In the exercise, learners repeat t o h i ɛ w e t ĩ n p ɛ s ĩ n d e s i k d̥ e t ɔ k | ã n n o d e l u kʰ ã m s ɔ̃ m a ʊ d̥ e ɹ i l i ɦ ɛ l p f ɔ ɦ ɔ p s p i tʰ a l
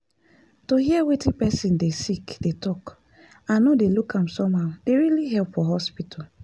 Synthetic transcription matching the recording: t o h i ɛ w e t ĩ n p ɛ s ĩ n d e s i k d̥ e t ɔ k | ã n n o d e l u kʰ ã m s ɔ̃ m a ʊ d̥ e ɹ i l i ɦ ɛ l p f ɔ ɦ ɔ s p i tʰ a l